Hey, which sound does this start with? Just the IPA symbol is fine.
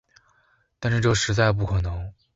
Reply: t̪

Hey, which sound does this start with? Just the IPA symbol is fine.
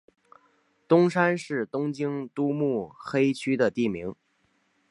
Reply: t̪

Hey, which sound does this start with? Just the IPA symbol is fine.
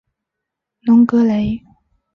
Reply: n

